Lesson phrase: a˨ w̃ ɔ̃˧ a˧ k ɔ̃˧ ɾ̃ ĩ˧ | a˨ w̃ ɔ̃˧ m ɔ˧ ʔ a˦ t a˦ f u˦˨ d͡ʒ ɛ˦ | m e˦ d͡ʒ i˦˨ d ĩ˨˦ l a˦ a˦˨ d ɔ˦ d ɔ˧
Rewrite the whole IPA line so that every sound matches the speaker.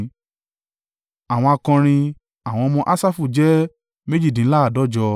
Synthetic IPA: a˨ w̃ ɔ̃˧ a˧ k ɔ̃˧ ɾ̃ ĩ˧ | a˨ w̃ ɔ̃˧ m ɔ̃˧ ʔ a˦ s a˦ f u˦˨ d͡ʒ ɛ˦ | m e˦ d͡ʒ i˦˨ d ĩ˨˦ l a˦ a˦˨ d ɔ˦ d͡ʒ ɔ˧

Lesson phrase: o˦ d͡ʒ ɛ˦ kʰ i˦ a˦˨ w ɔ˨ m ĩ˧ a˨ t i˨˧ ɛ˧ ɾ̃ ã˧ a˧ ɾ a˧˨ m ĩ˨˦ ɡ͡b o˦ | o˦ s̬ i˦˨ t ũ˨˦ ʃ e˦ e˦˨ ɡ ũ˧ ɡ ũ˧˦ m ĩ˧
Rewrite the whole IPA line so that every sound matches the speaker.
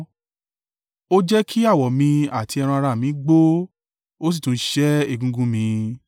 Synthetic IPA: o˦ d͡ʒ ɛ˦ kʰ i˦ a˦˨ w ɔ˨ m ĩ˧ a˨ t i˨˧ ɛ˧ ɾ̃ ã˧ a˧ ɾ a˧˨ m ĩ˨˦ ɡ͡b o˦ | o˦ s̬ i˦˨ t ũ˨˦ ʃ ɛ˦ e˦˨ ɡ ũ˧ ɡ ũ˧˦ m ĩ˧

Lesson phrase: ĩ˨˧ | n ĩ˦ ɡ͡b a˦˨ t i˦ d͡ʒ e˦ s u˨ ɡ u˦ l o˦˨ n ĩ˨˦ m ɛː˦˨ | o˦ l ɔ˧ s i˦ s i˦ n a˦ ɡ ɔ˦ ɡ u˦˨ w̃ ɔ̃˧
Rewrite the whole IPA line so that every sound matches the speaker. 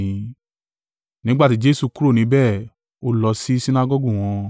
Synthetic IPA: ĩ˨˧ | n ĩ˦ ɡ͡b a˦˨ t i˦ d͡ʒ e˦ s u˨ k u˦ ɾ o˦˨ n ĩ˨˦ b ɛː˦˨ | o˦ l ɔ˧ s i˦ s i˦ n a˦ ɡ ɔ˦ ɡ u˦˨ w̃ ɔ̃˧

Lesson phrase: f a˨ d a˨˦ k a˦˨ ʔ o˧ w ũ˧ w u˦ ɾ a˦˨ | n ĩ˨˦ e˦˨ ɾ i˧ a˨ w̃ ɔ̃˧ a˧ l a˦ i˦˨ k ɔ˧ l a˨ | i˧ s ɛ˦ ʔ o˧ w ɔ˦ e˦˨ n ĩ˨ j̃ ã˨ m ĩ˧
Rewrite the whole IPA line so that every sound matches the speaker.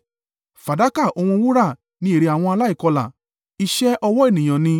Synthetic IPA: f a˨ d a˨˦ k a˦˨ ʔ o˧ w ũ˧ w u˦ ɾ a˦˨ | n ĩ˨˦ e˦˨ ɾ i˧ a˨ w̃ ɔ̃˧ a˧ l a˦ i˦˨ k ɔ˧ l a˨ | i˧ ʃ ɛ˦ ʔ ɔ˧ w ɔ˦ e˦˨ n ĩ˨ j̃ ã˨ n ĩ˧

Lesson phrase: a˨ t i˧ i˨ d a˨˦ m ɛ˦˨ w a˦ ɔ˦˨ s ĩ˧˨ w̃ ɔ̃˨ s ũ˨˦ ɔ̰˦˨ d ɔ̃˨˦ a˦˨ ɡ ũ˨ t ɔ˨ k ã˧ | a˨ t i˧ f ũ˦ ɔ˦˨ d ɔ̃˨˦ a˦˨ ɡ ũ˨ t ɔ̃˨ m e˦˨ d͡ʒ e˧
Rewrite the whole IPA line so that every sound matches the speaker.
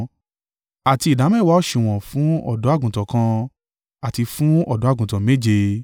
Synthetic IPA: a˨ t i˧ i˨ d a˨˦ m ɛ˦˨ w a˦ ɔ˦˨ ʃ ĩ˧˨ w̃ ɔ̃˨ f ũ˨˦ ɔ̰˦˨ d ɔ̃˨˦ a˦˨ ɡ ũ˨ t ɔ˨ k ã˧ | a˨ t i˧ f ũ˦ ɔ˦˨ d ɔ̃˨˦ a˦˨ ɡ ũ˨ t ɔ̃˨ m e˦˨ d͡ʒ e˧

